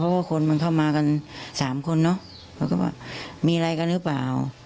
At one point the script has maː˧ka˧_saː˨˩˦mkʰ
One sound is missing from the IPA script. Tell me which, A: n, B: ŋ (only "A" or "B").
A